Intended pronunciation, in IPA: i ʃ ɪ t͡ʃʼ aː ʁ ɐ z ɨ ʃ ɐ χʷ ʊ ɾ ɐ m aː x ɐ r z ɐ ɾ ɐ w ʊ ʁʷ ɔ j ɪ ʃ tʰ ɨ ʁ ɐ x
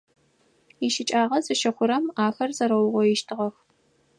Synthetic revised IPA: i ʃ ɪ t͡ʃʼ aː ʁ ɐ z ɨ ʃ ɐ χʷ ʊ ɾ ɐ m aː x ɐ r z ɐ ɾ ɐ w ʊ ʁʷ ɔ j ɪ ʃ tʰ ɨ ʁ ɐ x